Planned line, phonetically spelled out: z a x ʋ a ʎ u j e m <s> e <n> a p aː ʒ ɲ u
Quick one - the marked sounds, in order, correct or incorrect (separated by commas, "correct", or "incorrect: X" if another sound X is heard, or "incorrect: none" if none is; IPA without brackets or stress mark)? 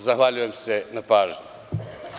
correct, correct